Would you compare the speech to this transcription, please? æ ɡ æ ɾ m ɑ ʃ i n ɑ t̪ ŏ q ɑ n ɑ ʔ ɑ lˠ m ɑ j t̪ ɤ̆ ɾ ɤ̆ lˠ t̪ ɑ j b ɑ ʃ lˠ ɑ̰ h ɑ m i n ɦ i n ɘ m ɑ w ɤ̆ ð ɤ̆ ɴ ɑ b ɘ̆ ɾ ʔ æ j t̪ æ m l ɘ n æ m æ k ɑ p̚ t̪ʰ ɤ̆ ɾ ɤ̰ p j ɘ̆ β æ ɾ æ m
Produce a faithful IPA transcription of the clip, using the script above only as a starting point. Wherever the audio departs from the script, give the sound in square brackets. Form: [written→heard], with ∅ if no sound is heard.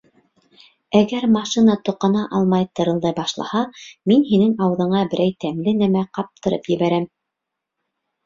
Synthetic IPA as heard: æ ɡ æ ɾ m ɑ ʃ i n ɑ t̪ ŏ q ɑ n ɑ ʔ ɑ lˠ m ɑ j t̪ ɤ̆ ɾ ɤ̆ lˠ [t̪→d̪] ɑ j b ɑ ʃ lˠ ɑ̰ h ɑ m i n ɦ i n ɘ [m→ŋ] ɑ w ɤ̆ ð ɤ̆ ɴ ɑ b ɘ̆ ɾ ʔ æ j t̪ æ m l ɘ n æ m æ [k→q] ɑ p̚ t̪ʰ ɤ̆ ɾ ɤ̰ p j ɘ̆ β æ ɾ æ m